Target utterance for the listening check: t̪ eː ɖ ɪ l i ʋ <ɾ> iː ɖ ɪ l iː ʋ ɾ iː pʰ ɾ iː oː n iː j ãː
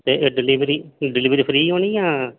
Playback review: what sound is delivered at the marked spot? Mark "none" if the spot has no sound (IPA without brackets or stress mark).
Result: ɾ